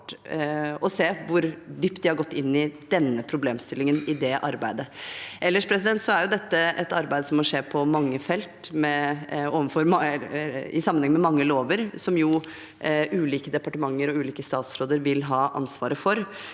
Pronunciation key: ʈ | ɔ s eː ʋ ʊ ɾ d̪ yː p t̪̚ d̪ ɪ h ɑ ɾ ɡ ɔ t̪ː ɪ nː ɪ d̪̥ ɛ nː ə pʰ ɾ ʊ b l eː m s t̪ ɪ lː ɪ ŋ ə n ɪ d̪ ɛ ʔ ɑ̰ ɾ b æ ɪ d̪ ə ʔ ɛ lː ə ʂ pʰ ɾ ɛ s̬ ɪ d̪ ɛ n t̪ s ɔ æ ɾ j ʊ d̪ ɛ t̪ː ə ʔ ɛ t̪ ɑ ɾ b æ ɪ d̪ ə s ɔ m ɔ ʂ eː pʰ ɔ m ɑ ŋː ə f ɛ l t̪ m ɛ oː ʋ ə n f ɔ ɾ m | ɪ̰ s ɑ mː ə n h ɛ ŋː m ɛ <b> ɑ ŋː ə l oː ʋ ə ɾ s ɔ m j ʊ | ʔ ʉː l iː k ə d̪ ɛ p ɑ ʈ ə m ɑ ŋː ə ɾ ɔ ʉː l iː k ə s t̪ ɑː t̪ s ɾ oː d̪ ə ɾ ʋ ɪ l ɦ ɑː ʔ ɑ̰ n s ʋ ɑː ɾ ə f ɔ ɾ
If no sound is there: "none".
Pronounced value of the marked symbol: m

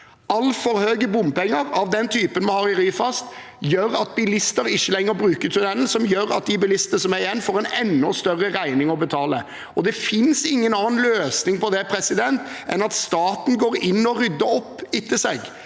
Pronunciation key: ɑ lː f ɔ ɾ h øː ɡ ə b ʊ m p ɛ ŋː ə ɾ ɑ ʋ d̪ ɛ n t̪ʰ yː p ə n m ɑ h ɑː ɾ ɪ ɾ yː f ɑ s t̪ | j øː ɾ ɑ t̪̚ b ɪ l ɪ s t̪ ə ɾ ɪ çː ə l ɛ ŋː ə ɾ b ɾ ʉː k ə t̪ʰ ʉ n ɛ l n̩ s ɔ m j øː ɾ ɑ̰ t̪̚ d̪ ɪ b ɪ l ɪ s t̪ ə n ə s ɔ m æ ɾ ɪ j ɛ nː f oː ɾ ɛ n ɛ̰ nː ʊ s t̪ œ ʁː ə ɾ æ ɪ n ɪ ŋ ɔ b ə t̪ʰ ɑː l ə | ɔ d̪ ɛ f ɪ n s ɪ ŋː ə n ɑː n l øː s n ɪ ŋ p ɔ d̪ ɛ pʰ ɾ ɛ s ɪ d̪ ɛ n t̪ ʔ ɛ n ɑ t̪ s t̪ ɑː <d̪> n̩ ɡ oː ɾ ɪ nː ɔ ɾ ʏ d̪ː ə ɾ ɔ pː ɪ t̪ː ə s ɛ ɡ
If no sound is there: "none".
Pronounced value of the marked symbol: t̪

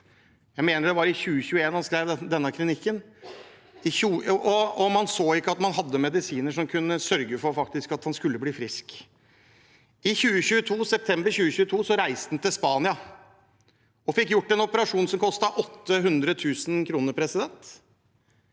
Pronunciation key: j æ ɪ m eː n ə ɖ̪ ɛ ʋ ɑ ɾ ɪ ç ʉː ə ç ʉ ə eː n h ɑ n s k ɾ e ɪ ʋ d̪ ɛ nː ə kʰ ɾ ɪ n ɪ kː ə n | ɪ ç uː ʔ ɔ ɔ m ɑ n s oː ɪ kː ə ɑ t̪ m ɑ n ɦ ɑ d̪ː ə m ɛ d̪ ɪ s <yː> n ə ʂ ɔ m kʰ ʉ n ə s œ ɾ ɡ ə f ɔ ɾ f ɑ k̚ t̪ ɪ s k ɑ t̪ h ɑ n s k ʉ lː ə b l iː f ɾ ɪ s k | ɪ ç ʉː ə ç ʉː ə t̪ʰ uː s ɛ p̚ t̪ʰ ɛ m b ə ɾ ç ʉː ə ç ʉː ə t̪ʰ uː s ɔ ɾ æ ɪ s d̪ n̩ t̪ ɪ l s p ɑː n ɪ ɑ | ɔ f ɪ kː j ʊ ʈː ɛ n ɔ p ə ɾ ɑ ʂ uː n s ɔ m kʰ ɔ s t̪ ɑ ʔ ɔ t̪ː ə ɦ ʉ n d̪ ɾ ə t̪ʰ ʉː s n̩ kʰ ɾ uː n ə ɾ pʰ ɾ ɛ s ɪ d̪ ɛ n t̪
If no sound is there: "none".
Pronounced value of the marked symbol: iː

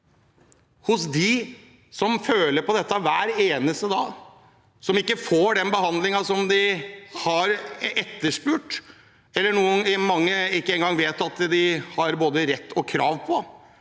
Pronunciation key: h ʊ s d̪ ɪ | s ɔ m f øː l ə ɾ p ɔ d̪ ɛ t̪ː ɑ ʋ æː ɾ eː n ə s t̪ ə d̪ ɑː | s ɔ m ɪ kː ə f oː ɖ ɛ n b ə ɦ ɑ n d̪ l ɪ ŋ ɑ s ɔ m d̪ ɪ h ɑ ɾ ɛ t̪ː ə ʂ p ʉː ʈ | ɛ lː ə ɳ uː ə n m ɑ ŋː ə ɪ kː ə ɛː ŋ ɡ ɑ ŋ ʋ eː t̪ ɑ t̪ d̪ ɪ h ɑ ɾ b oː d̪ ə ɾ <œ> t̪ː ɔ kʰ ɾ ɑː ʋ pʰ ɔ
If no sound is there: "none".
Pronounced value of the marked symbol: ɛ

